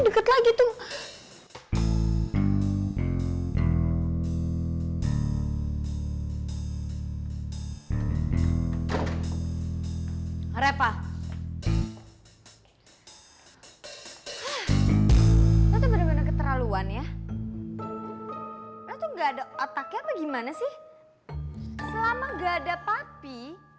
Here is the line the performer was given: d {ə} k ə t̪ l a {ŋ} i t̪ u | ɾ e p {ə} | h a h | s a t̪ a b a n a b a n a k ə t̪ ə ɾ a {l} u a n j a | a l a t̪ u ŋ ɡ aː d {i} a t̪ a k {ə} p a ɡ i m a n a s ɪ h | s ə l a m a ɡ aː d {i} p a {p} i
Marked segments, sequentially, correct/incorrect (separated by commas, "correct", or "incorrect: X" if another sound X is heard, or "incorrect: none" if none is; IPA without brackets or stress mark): correct, incorrect: ɡ, incorrect: a, correct, incorrect: a, incorrect: a, incorrect: a, correct